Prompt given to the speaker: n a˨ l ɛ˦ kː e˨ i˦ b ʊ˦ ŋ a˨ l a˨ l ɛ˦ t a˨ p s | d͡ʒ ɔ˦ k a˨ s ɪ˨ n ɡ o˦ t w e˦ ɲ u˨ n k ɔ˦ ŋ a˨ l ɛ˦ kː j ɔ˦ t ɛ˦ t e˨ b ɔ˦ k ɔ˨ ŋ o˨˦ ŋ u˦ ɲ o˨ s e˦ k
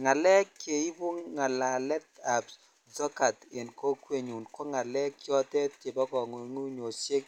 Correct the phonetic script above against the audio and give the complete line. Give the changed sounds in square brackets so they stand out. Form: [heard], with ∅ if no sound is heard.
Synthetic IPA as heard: [ŋ] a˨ l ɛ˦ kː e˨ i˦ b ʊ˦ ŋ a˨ l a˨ l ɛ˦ t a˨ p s | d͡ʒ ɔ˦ k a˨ [t] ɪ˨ n [k] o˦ [k] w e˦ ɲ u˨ n k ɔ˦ ŋ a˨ l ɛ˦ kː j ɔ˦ t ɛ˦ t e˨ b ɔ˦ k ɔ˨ ŋ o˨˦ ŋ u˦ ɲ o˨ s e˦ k